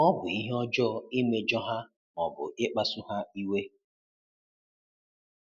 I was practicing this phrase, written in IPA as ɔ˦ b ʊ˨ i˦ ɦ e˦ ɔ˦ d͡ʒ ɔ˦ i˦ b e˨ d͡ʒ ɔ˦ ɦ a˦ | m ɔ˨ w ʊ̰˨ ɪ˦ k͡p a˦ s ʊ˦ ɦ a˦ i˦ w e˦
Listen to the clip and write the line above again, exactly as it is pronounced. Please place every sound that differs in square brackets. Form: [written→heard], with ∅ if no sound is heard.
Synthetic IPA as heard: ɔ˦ b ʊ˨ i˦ ɦ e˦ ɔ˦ d͡ʒ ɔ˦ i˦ [b→m] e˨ d͡ʒ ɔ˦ ɦ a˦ | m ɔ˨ [w→b] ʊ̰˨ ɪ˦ k͡p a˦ s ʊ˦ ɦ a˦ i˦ w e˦